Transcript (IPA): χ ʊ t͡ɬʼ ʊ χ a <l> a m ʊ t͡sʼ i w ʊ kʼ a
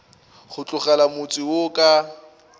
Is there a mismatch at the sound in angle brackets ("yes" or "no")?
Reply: no